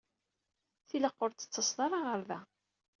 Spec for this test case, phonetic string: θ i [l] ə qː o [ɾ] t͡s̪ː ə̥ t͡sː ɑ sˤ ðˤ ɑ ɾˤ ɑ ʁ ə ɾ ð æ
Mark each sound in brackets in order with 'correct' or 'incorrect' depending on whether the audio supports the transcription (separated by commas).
correct, correct